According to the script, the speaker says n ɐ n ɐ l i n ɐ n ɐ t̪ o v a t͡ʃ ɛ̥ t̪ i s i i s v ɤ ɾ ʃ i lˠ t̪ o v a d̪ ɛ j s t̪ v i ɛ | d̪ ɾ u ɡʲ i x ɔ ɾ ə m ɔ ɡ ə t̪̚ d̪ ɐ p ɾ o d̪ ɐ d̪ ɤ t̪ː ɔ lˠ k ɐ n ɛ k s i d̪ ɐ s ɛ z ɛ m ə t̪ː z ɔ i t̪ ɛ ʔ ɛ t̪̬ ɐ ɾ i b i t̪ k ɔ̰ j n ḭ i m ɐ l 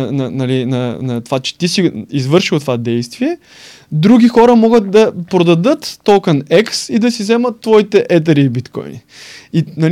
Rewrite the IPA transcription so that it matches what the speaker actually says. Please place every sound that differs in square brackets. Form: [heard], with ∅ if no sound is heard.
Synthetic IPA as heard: n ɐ n ɐ l i n ɐ n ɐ t̪ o v a t͡ʃ ɛ̥ t̪ i s i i [z] v ɤ ɾ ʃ i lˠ t̪ o v a d̪ ɛ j s t̪ v i ɛ | d̪ ɾ u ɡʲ i x ɔ ɾ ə m ɔ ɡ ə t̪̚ d̪ ɐ p ɾ o d̪ ɐ d̪ ɤ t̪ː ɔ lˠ k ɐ n ɛ k s i d̪ ɐ s [i] z ɛ m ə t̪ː [v] ɔ i t̪ ɛ ʔ ɛ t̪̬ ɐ ɾ i b i t̪ k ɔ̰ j n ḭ i [n] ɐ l